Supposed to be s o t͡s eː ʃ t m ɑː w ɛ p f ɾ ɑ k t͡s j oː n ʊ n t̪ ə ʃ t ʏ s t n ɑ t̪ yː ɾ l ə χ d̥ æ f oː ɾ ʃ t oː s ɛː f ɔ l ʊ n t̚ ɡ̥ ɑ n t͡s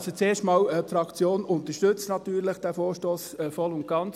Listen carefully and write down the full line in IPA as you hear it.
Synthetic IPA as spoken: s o t͡s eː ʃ t m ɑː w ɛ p f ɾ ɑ k t͡s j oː n ʊ n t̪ ə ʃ t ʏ t͡s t n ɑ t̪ yː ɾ l ə χ d̥ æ f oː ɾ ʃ t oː s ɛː f ɔ l ʊ n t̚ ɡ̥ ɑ n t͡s